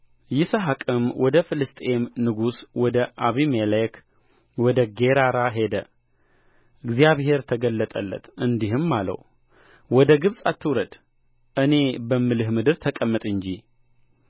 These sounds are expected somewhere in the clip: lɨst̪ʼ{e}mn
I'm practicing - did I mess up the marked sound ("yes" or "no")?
no